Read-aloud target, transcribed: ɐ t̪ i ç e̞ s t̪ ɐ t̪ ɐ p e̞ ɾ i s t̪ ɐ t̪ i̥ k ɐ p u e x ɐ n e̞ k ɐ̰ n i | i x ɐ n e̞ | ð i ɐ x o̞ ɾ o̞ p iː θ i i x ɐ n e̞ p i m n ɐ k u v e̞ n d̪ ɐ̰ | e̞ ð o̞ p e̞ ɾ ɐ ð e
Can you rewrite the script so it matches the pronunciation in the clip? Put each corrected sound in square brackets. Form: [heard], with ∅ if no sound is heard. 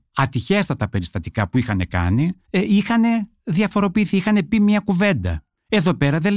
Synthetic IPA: ɐ t̪ i ç e̞ s t̪ ɐ t̪ ɐ p e̞ ɾ i s t̪ ɐ t̪ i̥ k ɐ p u [i] x ɐ n e̞ k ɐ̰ n i | i x ɐ n e̞ | ð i ɐ [f] o̞ ɾ o̞ p iː θ i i x ɐ n e̞ p i m [ɲ] ɐ k u v e̞ n d̪ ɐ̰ | e̞ ð o̞ p e̞ ɾ ɐ ð e